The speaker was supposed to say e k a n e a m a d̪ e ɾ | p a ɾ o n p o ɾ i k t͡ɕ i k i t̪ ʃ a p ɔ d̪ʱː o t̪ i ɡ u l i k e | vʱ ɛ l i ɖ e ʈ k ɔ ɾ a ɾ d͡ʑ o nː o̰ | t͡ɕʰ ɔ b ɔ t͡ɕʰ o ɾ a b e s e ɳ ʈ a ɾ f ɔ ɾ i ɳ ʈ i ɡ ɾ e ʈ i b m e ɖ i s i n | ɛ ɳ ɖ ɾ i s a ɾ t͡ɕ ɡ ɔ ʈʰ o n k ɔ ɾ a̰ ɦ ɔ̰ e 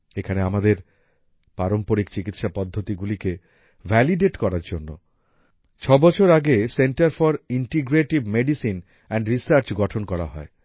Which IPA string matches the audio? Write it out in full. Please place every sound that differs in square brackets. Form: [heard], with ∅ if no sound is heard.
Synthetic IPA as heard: e [kʰ] a n e a m a d̪ e ɾ | p a ɾ o [m] p o ɾ i k t͡ɕ i k i t̪ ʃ a p ɔ d̪ʱː o t̪ i ɡ u l i k e | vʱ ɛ l i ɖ e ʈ k ɔ ɾ a ɾ d͡ʑ o nː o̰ | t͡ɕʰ ɔ b ɔ t͡ɕʰ o ɾ a [ɡ] e s e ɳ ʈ a ɾ f ɔ ɾ i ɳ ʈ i ɡ ɾ e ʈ i b m e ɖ i s i n | ɛ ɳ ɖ ɾ i s a ɾ t͡ɕ ɡ ɔ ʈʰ o n k ɔ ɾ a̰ ɦ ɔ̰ e